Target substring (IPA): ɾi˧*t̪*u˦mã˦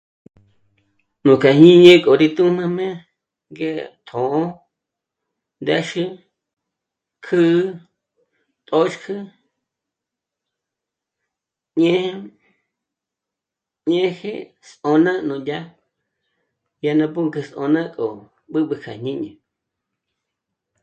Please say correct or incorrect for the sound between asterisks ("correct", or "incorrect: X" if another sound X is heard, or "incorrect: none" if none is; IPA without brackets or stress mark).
correct